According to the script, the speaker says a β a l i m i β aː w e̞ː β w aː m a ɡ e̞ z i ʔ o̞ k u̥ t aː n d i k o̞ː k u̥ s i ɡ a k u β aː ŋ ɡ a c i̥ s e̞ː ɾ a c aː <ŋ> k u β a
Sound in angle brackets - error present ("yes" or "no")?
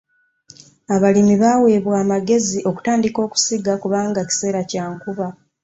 no